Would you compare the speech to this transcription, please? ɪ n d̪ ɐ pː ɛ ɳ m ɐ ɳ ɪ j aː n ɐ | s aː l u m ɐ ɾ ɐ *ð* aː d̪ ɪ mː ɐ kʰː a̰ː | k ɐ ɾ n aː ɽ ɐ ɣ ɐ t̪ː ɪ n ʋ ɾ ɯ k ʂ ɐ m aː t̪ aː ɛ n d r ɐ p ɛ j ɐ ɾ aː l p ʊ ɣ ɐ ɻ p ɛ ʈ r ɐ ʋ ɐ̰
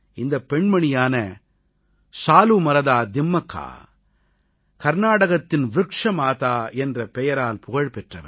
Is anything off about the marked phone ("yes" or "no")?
no